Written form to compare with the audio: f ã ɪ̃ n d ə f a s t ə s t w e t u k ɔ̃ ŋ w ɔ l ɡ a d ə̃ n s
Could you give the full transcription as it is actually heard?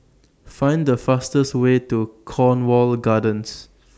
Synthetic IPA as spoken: f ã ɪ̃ n d ə f a s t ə s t w e t u kʰ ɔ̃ n w ɔ l ɡ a d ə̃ n s